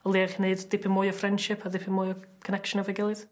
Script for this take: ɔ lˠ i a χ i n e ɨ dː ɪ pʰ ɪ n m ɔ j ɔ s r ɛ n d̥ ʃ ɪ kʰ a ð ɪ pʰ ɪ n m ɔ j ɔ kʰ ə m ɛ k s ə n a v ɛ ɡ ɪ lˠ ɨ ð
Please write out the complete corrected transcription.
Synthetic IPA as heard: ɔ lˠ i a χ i n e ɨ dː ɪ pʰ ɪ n m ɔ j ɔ f r ɛ n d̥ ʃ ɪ pʰ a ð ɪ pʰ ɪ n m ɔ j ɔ kʰ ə n ɛ k ʃ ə n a v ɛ ɡ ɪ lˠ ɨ ð